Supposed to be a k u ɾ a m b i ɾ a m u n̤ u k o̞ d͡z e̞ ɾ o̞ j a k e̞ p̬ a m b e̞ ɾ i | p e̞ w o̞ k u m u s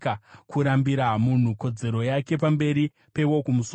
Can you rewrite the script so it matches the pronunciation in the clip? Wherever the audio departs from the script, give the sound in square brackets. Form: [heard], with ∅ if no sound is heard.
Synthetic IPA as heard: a k u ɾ a m b i ɾ a m u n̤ u k o̞ d͡z e̞ ɾ o̞ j a k e̞ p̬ a m b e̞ ɾ i | p e̞ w o̞ k u m u s